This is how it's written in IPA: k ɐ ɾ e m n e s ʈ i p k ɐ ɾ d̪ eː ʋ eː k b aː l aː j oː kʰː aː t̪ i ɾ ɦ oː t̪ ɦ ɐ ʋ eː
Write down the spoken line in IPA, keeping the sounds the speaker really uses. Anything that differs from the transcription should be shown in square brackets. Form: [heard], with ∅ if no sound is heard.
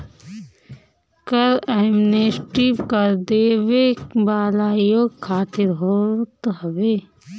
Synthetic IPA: k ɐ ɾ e m n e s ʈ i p k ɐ ɾ d̪ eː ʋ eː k b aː l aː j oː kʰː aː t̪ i ɾ ɦ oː t̪ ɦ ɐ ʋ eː